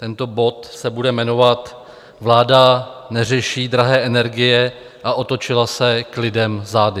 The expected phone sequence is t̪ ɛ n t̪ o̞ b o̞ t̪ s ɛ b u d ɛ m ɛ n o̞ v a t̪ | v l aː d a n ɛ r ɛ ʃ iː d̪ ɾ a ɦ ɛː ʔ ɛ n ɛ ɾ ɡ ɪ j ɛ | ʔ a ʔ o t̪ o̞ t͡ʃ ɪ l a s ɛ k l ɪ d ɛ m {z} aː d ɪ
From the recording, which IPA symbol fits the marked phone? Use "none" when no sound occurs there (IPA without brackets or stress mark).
z